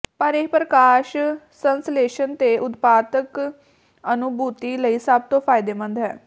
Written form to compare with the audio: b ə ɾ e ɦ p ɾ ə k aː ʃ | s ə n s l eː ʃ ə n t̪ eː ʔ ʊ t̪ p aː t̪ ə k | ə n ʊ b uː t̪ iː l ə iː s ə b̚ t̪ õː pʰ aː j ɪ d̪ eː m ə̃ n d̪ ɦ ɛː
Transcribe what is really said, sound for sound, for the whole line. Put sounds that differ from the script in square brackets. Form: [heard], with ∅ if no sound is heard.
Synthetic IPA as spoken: [p] ə ɾ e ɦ p ɾ ə k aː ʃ | s ə n s l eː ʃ ə n t̪ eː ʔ ʊ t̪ p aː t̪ ə k | ə n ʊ b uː t̪ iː l ə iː s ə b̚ t̪ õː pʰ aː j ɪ d̪ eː m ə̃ n d̪ ɦ ɛː